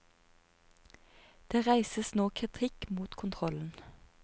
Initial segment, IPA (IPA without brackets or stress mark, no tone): d̪̥